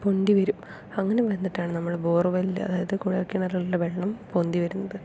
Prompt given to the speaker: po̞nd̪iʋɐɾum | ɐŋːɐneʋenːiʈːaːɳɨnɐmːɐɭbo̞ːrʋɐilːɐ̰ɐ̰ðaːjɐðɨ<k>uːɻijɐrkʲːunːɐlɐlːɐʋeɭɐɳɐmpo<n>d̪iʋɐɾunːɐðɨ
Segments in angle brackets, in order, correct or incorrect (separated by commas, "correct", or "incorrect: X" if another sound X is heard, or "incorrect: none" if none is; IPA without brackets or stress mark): correct, correct